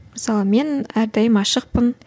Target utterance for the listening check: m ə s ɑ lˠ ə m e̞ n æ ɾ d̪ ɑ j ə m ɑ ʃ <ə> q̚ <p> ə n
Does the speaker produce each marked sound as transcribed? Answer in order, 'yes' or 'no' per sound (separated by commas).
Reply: yes, yes